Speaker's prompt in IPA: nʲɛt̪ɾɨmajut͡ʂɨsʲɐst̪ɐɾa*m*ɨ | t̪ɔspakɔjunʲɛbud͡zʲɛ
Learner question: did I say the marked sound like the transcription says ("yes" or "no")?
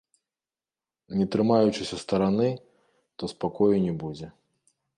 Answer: no